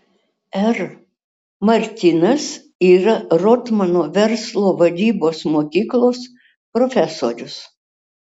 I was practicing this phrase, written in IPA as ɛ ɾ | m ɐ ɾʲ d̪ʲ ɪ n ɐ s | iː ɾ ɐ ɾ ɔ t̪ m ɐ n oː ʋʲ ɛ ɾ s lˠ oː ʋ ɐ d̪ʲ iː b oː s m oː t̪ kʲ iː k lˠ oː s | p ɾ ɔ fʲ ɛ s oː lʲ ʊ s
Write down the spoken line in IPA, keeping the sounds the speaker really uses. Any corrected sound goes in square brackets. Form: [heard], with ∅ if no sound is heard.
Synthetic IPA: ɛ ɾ | m ɐ ɾʲ [t̪ʲ] ɪ n ɐ s | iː ɾ ɐ ɾ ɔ t̪ m ɐ n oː ʋʲ ɛ ɾ s lˠ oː ʋ ɐ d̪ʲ iː b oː s m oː [∅] kʲ iː k lˠ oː s | p ɾ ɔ fʲ ɛ s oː [ɾʲ] ʊ s

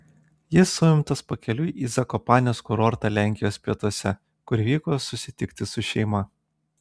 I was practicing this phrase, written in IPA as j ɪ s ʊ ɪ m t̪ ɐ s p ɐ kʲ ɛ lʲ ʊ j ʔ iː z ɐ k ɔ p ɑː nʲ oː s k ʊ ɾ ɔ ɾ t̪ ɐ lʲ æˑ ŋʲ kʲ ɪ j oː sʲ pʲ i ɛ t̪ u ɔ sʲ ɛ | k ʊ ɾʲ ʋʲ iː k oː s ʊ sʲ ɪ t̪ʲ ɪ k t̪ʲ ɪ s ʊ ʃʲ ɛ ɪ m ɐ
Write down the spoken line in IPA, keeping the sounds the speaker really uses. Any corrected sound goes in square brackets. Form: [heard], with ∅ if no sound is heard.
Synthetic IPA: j ɪ s ʊ ɪ m t̪ ɐ s p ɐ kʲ ɛ lʲ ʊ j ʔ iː z ɐ k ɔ p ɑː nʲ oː s k ʊ ɾ ɔ ɾ t̪ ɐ lʲ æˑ ŋʲ kʲ ɪ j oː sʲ pʲ i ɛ t̪ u ɔ sʲ ɛ | k ʊ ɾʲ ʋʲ iː k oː s ʊ sʲ ɪ t̪ʲ ɪ k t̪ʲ ɪ s ʊ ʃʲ ɛ ɪ m ɐ

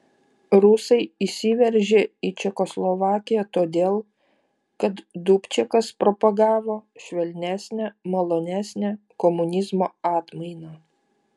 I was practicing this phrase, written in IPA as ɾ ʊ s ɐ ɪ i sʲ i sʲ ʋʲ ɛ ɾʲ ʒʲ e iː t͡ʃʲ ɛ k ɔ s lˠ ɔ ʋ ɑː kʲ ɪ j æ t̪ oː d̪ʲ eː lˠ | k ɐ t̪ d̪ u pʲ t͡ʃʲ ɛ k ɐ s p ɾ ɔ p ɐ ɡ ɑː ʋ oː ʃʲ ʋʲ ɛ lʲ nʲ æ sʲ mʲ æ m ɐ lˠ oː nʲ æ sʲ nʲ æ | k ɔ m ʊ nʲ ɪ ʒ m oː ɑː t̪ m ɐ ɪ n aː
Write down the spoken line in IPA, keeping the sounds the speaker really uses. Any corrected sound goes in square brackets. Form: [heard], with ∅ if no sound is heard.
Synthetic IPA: ɾ ʊ s ɐ ɪ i sʲ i [∅] ʋʲ ɛ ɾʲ ʒʲ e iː t͡ʃʲ ɛ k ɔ s lˠ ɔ ʋ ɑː kʲ ɪ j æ t̪ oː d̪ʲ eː lˠ | k ɐ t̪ d̪ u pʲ t͡ʃʲ ɛ k ɐ s p ɾ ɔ p ɐ ɡ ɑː ʋ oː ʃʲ ʋʲ ɛ lʲ nʲ æ sʲ [nʲ] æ m ɐ lˠ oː nʲ æ sʲ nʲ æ | k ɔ m ʊ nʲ ɪ [z] m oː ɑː t̪ m ɐ ɪ n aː

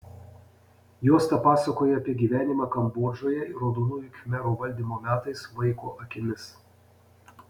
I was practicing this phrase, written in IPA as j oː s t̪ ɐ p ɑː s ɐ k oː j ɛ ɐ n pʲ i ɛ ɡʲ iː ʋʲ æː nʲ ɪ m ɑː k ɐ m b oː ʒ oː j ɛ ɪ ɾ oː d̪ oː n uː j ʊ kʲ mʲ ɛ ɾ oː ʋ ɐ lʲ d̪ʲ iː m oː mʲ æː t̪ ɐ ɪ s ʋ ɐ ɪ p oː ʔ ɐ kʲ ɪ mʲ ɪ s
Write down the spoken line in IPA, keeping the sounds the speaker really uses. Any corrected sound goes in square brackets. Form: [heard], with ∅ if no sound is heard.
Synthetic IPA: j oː s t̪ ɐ p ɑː s ɐ k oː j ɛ ɐ [∅] pʲ i ɛ ɡʲ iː ʋʲ æː nʲ ɪ m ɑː k ɐ m b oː ʒ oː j ɛ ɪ ɾ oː d̪ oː n uː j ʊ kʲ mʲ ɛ ɾ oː ʋ ɐ lʲ d̪ʲ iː m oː mʲ æː t̪ ɐ ɪ s ʋ ɐ ɪ [k] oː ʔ ɐ kʲ ɪ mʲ ɪ s

